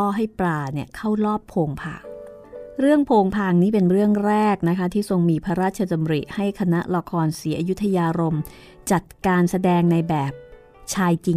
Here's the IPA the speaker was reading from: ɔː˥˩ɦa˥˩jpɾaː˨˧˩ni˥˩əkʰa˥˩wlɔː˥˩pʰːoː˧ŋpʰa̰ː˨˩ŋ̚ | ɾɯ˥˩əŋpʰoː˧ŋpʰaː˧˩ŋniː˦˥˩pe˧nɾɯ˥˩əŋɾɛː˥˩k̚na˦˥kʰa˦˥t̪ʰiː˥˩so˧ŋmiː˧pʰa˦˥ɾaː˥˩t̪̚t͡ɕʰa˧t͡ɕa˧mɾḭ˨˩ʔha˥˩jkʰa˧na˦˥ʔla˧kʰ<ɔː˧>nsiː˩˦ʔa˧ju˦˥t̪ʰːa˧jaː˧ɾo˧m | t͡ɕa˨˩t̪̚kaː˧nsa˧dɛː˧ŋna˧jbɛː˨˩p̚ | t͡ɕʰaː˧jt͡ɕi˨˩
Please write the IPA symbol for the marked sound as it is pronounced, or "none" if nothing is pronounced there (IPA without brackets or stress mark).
ɔː˧